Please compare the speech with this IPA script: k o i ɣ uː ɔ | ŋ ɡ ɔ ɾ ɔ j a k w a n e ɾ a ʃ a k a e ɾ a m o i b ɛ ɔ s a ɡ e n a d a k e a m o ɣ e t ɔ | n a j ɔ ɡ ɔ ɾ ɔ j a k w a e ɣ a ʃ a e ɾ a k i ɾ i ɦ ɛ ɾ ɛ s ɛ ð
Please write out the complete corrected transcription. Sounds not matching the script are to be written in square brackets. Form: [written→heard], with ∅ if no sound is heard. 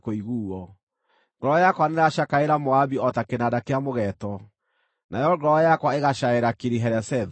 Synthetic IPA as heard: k o i ɣ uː ɔ | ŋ ɡ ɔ ɾ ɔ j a k w a n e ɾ a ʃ a k a e ɾ a m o [i→a] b [ɛ→i] ɔ [s→t] a [ɡ→k] e n a d a k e a m o ɣ [e→ɛ] t ɔ | n a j ɔ ɡ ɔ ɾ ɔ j a k w a e ɣ a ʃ a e ɾ a k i ɾ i ɦ ɛ ɾ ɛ s ɛ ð